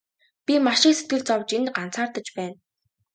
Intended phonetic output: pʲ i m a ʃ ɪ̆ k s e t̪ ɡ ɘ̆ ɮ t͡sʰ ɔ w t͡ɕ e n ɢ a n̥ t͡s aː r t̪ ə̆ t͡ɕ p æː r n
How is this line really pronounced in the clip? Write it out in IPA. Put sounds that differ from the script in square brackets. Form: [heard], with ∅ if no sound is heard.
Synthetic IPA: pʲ i m a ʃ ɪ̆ k s e t̪ ɡ ɘ̆ ɮ [t͡s] ɔ w t͡ɕ e n ɢ a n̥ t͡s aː r t̪ ə̆ t͡ɕ p æː [∅] n